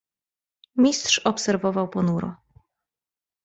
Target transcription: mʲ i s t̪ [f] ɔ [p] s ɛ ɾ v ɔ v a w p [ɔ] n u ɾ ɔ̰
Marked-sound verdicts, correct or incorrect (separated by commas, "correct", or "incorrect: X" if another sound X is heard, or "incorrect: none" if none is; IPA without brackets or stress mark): incorrect: ʂ, correct, correct